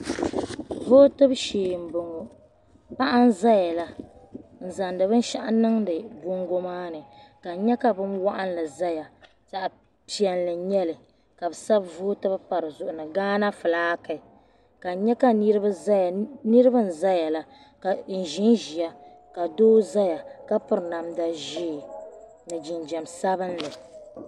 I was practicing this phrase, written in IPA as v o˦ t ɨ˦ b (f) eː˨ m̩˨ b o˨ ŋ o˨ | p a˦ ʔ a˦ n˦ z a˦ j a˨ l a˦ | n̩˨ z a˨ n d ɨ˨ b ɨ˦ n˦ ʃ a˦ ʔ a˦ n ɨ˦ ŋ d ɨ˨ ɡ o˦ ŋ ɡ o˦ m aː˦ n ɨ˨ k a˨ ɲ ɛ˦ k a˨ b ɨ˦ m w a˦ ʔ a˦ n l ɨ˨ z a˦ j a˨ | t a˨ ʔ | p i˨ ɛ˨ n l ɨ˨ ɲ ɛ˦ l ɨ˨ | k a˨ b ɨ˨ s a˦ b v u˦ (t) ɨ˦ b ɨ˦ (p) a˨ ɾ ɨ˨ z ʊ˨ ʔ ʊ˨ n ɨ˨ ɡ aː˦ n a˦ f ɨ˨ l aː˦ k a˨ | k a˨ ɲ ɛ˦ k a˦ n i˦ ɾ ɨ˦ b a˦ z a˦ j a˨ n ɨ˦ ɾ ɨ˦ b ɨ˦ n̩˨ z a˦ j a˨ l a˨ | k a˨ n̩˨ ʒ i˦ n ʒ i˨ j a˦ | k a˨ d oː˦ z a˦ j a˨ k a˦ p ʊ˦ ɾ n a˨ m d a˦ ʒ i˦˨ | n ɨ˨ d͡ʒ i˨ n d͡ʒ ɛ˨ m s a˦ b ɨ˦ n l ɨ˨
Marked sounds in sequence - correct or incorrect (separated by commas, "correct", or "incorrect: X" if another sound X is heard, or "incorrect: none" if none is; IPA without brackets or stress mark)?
incorrect: ʃ, correct, correct